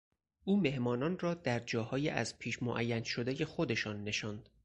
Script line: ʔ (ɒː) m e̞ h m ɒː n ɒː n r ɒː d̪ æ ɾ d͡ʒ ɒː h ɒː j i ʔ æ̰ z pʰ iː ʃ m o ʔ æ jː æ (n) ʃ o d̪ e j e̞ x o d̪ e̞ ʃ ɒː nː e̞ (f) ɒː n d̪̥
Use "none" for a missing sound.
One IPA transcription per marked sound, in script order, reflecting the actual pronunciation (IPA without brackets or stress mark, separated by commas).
uː, n, ʃ